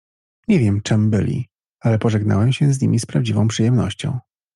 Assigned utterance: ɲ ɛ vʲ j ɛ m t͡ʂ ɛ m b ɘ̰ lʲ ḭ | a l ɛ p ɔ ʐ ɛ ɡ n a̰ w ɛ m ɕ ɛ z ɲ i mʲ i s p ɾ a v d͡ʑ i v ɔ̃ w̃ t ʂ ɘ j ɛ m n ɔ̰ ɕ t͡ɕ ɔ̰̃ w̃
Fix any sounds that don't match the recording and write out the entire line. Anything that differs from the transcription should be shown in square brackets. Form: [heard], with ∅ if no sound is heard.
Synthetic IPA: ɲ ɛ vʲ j ɛ m t͡ʂ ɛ m b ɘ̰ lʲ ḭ | a l ɛ p ɔ ʐ ɛ ɡ n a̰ w ɛ m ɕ ɛ z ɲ i mʲ i s p ɾ a v d͡ʑ i v ɔ̃ w̃ [p] ʂ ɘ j ɛ m n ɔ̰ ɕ t͡ɕ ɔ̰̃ w̃